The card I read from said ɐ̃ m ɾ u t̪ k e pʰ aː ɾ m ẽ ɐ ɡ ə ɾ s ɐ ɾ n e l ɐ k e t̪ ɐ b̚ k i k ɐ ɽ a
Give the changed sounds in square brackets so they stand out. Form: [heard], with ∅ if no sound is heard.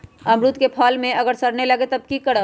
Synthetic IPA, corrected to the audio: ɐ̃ m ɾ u t̪ k e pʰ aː [l] m ẽ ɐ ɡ ə ɾ s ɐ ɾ n e l ɐ [ɡ] e t̪ ɐ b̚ k i k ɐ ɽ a

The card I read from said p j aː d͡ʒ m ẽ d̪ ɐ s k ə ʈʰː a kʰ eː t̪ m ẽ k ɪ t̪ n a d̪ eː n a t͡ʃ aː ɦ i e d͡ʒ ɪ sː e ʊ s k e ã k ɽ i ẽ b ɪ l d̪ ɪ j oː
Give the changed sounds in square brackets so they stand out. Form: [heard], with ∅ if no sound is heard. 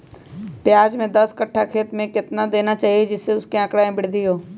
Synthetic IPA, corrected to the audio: p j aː d͡ʒ m ẽ d̪ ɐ s k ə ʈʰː a kʰ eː t̪ m ẽ k ɪ t̪ n a d̪ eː n a t͡ʃ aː ɦ i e d͡ʒ ɪ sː e ʊ s k e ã k ɽ [a] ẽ b ɪ [ɽ] d̪ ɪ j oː

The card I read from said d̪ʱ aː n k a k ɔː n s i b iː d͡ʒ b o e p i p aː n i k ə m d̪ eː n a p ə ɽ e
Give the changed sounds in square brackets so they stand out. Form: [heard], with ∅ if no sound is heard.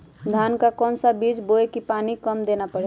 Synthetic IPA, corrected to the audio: d̪ʱ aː n k a k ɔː n s [a] b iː d͡ʒ b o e [k] i p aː n i k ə m d̪ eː n a p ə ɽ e

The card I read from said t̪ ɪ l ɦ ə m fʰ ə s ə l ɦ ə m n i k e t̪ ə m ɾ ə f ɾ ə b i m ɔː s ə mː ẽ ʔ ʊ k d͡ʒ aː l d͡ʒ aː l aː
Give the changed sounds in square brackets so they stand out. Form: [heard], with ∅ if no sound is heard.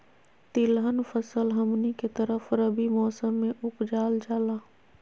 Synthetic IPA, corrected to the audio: t̪ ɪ l ɦ ə [n] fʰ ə s ə l ɦ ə m n i k e t̪ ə [∅] ɾ ə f ɾ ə b i m ɔː s ə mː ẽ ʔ ʊ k d͡ʒ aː l d͡ʒ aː l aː

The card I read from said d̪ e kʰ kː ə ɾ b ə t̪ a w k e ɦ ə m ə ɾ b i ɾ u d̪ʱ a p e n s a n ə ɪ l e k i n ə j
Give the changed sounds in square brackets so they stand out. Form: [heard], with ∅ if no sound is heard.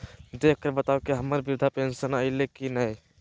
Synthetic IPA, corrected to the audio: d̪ e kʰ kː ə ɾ b ə t̪ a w k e ɦ ə m ə ɾ b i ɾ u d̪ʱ a p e n s [ə] n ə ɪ l e k i n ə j

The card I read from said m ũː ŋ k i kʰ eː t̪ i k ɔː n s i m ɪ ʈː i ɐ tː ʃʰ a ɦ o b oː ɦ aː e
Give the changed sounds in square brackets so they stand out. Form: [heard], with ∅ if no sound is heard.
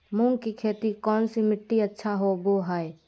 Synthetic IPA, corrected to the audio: m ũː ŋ k i kʰ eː t̪ i k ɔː n s i m ɪ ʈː i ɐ tː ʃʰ a ɦ o b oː ɦ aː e

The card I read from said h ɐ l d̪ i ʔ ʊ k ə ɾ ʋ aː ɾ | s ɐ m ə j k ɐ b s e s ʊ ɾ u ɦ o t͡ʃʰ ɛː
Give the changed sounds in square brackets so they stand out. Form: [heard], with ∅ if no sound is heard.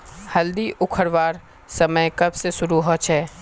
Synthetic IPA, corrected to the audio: h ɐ l d̪ i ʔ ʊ [kʰ] ə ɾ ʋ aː ɾ | s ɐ m ə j k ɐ b s e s ʊ ɾ u ɦ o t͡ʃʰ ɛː

